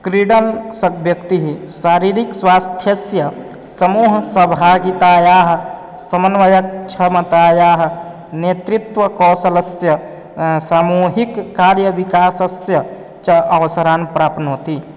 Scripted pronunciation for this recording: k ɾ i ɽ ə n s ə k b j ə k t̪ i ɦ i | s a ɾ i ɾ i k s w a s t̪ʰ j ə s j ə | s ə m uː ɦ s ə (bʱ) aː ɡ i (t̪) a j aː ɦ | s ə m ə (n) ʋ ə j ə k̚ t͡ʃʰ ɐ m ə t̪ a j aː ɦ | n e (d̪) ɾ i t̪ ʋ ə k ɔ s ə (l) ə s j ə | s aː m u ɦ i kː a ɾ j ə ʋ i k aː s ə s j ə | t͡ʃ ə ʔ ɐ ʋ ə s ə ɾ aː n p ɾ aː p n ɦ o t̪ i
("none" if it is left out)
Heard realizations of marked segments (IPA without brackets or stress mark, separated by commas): bʱ, t̪, n, t̪, l